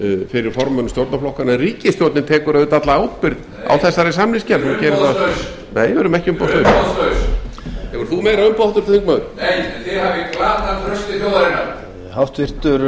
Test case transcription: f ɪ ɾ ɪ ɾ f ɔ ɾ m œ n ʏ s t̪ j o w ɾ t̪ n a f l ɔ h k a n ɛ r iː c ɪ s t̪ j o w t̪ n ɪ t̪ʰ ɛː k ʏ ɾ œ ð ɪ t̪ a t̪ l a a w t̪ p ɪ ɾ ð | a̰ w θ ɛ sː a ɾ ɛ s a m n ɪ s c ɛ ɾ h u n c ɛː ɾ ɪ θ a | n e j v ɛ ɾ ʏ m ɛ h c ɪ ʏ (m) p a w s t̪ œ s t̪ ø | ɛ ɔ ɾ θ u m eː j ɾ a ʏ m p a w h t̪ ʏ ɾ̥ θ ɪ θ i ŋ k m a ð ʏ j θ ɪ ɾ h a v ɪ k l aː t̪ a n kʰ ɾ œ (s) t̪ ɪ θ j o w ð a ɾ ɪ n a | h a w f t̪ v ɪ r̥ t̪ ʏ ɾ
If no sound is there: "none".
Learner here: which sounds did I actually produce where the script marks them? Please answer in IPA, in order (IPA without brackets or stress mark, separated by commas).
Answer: m, s